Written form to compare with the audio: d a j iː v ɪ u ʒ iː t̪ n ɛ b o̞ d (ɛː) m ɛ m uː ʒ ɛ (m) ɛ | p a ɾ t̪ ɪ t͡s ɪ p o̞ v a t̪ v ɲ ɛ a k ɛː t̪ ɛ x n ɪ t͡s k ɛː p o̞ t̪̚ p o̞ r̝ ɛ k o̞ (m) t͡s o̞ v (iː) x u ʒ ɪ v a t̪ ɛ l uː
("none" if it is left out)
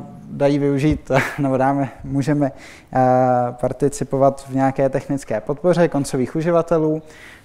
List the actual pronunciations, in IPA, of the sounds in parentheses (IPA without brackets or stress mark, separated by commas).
aː, m, n, iː